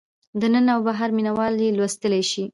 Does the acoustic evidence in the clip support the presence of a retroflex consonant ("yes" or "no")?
no